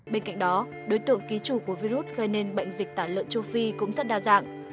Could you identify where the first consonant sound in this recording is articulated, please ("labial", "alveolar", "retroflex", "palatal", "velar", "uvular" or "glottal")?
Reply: labial